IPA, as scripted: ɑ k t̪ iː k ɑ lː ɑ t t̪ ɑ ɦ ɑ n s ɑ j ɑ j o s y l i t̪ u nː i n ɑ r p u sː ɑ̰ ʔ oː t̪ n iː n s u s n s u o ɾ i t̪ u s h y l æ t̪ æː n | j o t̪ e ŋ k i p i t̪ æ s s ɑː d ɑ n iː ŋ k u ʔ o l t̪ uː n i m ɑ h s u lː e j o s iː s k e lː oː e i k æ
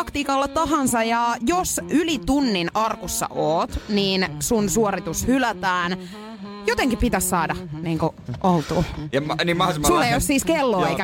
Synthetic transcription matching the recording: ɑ k t̪ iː k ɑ lː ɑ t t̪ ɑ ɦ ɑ n s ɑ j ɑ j o s y l i t̪ u nː i n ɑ r k u sː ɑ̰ ʔ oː t̪ n iː n s u n s u o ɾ i t̪ u s h y l æ t̪ æː n | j o t̪ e ŋ k i p i t̪ æ s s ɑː d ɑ n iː ŋ k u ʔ o l t̪ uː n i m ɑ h s u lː e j o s iː s k e lː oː e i k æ